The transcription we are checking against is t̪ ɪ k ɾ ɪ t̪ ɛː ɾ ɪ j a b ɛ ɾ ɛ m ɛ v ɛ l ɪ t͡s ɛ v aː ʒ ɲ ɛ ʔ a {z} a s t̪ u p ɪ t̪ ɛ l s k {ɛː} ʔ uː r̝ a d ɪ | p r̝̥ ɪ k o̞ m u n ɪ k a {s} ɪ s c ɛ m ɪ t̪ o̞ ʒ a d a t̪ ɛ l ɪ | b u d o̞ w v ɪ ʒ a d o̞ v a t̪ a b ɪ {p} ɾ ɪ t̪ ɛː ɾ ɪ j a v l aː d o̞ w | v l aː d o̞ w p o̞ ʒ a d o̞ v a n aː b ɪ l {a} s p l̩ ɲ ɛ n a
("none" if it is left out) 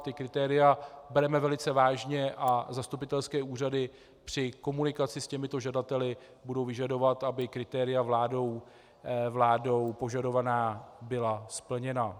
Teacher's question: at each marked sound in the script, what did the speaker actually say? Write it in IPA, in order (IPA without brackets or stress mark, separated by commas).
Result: z, ɛː, t͡s, k, a